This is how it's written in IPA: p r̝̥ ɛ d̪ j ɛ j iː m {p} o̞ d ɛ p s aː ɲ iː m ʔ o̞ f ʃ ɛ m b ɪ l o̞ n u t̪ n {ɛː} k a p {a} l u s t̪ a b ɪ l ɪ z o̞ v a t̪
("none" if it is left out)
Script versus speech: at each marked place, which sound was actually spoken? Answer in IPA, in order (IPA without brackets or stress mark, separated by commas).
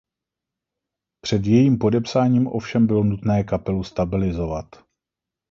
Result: p, ɛː, ɛ